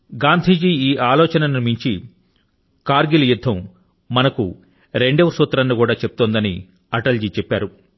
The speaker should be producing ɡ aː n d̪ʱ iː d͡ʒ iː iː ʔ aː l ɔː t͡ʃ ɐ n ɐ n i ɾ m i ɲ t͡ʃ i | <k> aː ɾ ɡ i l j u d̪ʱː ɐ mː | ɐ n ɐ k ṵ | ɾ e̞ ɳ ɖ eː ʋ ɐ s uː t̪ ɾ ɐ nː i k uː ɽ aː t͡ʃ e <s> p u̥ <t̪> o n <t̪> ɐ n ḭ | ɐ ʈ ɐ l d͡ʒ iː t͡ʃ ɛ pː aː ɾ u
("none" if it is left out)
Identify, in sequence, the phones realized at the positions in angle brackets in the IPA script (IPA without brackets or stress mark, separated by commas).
k, none, t̪, d̪